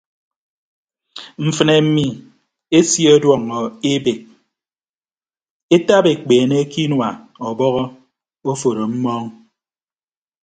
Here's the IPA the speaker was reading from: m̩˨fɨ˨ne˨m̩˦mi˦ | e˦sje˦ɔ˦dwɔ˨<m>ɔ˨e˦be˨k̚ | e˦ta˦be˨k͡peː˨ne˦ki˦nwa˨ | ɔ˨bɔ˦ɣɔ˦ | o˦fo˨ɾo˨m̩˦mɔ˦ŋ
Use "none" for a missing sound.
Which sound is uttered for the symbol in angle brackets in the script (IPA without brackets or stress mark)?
ŋ